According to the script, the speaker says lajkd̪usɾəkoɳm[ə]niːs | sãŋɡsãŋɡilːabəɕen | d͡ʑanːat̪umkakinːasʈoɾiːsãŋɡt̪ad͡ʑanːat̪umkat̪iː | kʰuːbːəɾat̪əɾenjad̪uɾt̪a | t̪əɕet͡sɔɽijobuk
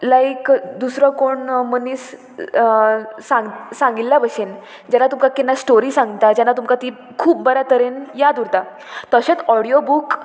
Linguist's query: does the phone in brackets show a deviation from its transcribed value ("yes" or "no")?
no